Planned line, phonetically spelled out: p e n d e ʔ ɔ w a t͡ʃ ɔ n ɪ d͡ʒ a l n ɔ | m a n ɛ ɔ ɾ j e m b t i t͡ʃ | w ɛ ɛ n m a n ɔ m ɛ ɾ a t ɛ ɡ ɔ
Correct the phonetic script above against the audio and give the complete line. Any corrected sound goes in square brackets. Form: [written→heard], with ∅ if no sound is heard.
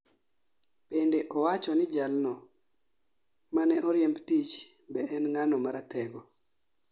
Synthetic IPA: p e n d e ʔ ɔ w a t͡ʃ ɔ n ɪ d͡ʒ a l n ɔ | m a n ɛ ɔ ɾ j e m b t i t͡ʃ | [w→b] ɛ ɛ n [m→ŋ] a n ɔ m [ɛ→a] ɾ a t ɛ ɡ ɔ